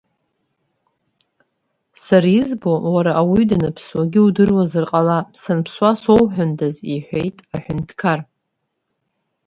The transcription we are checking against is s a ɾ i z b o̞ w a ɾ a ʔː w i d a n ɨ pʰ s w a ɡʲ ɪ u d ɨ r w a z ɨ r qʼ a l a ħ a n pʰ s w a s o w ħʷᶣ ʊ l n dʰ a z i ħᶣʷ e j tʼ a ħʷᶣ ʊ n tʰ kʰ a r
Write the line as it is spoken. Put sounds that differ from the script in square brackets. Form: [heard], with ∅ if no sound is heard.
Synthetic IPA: s a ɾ i z b o̞ w a ɾ a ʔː w i d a n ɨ pʰ s w a ɡʲ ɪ u d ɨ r w a z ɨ r qʼ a l a [s] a n pʰ s w a s o w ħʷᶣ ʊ [∅] n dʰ a z i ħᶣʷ e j tʼ a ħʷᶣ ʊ n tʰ kʰ a r